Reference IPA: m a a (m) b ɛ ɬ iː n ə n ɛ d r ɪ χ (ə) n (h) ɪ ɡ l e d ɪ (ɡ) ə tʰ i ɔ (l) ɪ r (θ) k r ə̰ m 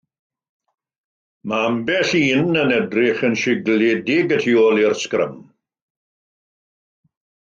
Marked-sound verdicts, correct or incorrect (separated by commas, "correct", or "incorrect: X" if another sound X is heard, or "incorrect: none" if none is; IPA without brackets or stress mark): correct, correct, incorrect: ʃ, correct, correct, incorrect: s